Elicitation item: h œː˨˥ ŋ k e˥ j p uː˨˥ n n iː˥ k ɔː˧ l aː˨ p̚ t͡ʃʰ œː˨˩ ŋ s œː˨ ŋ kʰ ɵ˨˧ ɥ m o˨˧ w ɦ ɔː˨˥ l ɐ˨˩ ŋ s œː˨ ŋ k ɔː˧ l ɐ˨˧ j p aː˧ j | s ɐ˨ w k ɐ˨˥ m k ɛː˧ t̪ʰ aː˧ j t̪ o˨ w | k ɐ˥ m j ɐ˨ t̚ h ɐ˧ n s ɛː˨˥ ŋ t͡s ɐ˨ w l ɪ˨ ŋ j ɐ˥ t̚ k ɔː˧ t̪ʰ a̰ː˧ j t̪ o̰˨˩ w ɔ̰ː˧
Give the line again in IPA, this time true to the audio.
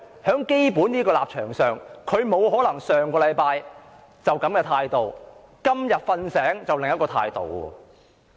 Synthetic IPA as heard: h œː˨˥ ŋ k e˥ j p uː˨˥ n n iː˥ k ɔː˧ l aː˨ p̚ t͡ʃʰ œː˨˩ ŋ s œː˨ ŋ kʰ ɵ˨˧ ɥ m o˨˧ w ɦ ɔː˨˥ l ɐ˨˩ ŋ s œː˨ ŋ k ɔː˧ l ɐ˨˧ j p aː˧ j | t͡s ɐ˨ w k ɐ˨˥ m k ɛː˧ t̪ʰ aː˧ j t̪ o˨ w | k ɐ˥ m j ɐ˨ t̚ f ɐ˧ n s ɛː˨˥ ŋ t͡s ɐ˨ w l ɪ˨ ŋ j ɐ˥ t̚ k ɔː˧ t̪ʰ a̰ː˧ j t̪ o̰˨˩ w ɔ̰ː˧